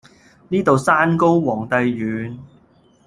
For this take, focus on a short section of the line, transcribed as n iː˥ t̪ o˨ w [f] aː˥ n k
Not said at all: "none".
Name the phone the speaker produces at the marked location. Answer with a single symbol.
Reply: s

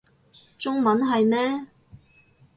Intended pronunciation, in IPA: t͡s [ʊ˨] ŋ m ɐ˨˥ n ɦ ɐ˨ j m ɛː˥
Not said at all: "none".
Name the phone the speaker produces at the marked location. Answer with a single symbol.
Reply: ʊ˥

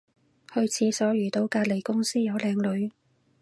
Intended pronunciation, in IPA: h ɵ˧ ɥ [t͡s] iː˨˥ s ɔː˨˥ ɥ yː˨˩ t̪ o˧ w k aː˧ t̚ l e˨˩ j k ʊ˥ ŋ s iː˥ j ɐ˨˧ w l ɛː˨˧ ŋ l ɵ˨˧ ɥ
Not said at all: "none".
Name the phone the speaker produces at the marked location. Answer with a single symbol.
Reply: t͡sʰ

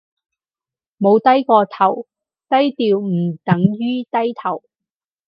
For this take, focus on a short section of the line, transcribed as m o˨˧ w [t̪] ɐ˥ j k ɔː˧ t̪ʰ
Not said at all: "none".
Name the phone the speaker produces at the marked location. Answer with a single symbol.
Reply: t̪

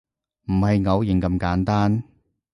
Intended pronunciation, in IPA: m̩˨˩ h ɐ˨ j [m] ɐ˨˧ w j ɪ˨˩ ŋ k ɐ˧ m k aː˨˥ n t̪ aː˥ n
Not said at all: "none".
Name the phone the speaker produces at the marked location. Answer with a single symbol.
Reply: ŋ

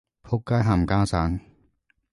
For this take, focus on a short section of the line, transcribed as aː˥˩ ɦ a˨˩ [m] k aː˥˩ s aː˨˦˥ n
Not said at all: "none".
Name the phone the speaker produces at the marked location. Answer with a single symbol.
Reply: m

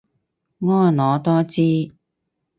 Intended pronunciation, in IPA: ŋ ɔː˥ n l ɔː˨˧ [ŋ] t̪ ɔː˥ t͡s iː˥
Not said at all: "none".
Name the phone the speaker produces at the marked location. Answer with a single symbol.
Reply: none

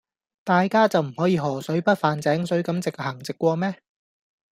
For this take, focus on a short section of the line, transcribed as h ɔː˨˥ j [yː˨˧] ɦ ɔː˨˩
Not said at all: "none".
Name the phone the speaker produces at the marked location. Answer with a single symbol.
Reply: iː˨˧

